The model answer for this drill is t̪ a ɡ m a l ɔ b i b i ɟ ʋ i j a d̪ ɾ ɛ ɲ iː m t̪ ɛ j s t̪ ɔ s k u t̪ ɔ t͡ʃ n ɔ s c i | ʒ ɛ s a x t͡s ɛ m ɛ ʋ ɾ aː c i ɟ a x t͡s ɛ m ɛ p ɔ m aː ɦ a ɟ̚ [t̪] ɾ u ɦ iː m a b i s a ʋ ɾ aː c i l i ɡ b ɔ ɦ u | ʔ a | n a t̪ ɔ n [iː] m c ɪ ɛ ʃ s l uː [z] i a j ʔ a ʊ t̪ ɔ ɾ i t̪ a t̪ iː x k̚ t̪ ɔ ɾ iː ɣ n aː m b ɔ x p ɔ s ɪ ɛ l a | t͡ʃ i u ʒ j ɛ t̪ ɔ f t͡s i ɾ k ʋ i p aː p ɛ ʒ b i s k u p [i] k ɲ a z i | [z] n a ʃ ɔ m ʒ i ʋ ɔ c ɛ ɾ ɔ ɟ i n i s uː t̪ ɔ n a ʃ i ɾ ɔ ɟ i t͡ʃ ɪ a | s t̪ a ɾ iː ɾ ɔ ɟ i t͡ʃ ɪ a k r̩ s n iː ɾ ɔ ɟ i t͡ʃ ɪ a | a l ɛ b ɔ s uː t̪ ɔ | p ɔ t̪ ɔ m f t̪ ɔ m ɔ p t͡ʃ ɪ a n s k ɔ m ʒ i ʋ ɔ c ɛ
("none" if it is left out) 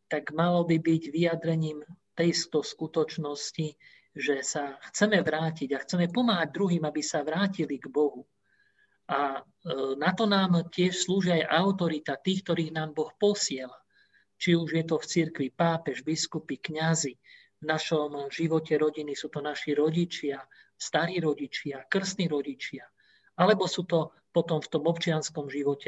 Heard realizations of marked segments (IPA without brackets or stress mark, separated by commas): d̪, aː, ʒ, i, v